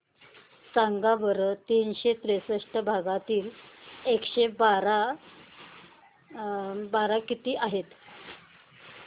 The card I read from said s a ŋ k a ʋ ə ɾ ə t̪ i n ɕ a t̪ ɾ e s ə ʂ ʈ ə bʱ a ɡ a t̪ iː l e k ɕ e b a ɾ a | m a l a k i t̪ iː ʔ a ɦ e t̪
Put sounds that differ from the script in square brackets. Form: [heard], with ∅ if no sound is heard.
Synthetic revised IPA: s a ŋ [ɡ] a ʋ ə ɾ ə t̪ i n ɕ [e] t̪ ɾ e s ə ʂ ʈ ə bʱ a ɡ a t̪ iː l e k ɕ e b a ɾ a | [b] a [ɾ] a k i t̪ iː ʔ a ɦ e t̪